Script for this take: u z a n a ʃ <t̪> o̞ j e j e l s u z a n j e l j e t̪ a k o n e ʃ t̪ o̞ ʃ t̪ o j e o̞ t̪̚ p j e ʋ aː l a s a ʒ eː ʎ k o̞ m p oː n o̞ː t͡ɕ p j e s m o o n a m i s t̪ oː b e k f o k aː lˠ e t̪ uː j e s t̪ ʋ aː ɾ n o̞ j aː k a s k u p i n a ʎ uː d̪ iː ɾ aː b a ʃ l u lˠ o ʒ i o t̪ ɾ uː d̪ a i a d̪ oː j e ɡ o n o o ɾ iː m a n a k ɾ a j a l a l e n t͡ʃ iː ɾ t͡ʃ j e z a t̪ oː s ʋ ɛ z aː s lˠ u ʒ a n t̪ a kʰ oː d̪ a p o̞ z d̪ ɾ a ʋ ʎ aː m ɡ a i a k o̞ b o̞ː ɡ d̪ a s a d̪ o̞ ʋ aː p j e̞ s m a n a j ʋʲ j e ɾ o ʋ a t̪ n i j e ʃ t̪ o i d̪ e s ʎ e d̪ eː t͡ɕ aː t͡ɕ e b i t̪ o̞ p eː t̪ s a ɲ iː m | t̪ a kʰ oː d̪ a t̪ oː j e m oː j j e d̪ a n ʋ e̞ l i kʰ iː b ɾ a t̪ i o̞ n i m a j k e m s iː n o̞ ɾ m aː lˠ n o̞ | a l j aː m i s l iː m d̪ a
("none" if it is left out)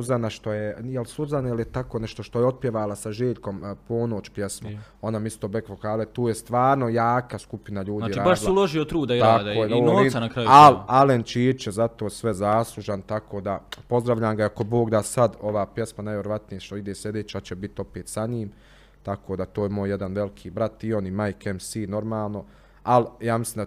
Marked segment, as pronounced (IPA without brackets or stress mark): t̪